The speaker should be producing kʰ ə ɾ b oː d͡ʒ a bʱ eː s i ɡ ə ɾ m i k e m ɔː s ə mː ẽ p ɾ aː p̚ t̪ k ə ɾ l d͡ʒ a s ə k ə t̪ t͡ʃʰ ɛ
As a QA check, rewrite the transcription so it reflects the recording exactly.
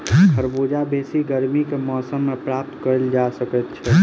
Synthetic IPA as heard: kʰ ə ɾ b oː d͡ʒ a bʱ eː s i ɡ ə ɾ m i k e m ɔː s ə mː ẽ p ɾ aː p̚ t̪ k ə ɾ l d͡ʒ a s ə k ə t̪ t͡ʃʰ ɛ